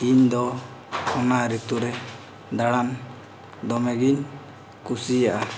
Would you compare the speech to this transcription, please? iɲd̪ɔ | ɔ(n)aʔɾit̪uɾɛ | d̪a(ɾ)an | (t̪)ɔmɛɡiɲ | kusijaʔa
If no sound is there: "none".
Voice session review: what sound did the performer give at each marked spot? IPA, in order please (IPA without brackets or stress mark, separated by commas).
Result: n, ɽ, d̪